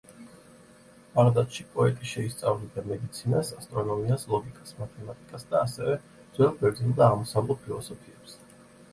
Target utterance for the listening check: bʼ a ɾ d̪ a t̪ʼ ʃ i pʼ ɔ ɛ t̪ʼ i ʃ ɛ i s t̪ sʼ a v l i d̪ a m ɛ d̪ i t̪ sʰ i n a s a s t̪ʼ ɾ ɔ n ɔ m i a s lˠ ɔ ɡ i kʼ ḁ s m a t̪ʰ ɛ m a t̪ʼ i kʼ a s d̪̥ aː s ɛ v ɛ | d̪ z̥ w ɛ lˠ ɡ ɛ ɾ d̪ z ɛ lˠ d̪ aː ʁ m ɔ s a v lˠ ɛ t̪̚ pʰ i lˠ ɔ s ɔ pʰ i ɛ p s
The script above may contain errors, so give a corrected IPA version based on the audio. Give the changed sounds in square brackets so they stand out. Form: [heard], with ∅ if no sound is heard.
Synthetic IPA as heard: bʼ a ɾ d̪ a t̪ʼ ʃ i pʼ ɔ ɛ t̪ʼ i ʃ ɛ i s t̪ sʼ a v l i d̪ a m ɛ d̪ i t̪ sʰ i n a s a s t̪ʼ ɾ ɔ n ɔ m i a s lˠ ɔ ɡ i kʼ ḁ s m a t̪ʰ ɛ m a t̪ʼ i kʼ a s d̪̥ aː s ɛ v ɛ | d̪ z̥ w ɛ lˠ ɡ ɛ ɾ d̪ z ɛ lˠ d̪ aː ʁ m ɔ s a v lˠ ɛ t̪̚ pʰ i lˠ ɔ s ɔ pʰ i ɛ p s